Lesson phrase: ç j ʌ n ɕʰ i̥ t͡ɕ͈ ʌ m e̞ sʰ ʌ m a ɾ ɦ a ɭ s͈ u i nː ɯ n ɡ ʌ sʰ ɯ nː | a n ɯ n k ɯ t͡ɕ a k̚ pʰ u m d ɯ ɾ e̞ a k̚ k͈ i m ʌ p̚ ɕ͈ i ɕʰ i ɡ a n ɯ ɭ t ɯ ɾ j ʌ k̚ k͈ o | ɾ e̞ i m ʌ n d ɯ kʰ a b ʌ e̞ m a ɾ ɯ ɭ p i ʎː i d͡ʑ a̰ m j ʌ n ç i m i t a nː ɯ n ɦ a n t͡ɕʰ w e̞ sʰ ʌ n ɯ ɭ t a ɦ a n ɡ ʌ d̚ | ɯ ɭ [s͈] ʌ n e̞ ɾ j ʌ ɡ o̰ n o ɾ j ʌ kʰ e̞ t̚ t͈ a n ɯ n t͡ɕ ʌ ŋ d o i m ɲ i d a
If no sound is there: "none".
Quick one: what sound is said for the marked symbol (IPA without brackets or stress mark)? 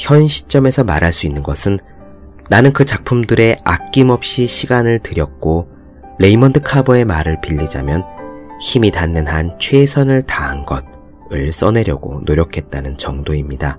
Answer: s͈